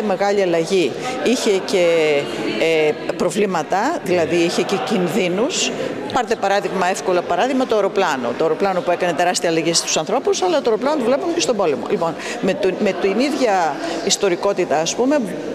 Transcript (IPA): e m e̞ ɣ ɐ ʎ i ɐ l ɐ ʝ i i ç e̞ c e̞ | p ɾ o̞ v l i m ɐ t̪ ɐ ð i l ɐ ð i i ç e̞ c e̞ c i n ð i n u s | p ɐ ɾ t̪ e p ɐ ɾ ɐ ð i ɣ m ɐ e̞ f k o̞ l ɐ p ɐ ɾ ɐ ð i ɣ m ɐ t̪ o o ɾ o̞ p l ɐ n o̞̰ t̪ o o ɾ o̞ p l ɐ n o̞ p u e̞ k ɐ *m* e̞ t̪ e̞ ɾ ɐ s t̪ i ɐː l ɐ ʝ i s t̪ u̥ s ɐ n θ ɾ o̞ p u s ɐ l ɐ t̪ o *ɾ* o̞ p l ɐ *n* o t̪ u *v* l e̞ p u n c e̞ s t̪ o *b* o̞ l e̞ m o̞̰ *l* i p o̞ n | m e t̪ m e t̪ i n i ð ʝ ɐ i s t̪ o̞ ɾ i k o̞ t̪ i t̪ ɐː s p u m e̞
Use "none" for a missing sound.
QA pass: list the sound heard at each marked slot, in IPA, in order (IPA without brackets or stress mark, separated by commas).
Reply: n, ɾ, n, v, b, l